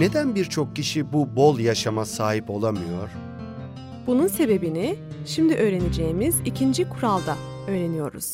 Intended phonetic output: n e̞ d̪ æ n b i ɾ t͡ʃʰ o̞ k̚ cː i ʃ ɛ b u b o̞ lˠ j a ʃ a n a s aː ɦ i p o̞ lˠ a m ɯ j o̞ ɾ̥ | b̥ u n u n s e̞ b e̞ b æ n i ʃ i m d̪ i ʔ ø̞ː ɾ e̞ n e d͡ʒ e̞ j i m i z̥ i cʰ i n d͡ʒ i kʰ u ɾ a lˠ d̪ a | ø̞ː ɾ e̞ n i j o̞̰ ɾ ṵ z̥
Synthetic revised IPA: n e̞ d̪ æ n b i ɾ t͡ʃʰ o̞ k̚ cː i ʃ i b u b o̞ lˠ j a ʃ a m a s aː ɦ i p o̞ lˠ a m ɯ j o̞ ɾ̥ | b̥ u n u n s e̞ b e̞ b i n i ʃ i m d̪ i ʔ ø̞ː ɾ e̞ n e d͡ʒ e̞ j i m i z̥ i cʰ i n d͡ʒ i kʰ u ɾ a lˠ d̪ a | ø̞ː ɾ e̞ n i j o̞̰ ɾ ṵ z̥